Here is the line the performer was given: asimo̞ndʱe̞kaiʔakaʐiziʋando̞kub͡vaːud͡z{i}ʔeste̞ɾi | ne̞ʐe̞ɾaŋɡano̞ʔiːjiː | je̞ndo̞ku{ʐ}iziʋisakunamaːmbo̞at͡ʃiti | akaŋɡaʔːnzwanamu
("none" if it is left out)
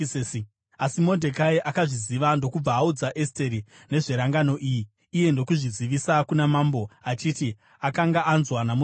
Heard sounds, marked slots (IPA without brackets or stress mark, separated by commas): a, ʐ